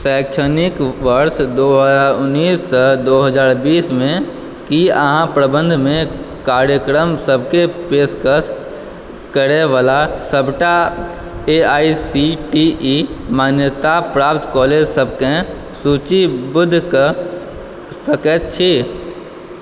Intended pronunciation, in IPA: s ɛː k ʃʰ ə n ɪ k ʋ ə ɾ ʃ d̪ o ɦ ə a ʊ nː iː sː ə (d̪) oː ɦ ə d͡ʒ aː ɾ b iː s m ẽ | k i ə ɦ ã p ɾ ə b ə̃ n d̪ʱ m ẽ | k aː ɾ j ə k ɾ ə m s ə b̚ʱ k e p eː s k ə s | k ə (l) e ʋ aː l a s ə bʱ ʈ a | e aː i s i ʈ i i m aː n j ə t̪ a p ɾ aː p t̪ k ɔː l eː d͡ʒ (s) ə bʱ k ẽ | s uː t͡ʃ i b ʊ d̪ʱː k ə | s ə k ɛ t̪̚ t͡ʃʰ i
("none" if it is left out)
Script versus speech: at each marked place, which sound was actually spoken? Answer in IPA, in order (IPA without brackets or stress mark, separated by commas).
d̪, ɾ, s